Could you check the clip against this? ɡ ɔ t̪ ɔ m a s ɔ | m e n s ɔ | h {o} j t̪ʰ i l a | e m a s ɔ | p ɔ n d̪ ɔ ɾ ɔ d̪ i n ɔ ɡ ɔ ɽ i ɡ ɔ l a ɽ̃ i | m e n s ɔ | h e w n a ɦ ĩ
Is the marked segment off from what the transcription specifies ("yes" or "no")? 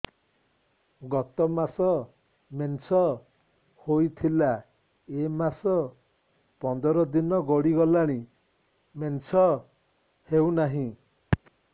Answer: no